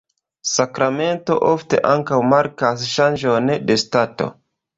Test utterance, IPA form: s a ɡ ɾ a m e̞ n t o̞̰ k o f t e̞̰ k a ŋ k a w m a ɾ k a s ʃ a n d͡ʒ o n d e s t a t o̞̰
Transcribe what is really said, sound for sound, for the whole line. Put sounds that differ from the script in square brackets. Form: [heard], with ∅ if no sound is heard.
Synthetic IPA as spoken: s a [k] ɾ a m e̞ n t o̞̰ [ʔ] o f t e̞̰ [ʔ] a ŋ k a w m a ɾ k a s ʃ a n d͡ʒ o n d e s t a t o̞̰